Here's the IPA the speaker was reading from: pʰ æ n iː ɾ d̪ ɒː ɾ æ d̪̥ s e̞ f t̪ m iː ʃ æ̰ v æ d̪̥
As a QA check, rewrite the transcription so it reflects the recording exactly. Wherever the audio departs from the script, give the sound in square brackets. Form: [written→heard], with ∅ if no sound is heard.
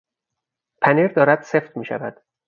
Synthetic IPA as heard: pʰ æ n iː ɾ d̪ ɒː ɾ æ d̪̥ s e̞ f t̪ m iː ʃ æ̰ v æ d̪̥